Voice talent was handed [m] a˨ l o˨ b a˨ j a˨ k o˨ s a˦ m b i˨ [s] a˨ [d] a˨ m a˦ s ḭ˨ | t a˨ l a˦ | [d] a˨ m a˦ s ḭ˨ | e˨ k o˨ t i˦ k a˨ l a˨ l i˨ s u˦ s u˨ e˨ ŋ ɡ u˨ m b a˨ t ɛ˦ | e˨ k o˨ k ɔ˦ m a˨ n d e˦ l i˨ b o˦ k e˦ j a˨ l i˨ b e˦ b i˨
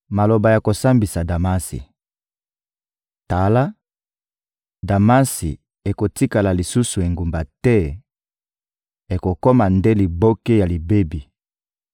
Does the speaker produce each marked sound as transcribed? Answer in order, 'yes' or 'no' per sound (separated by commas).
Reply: yes, yes, yes, yes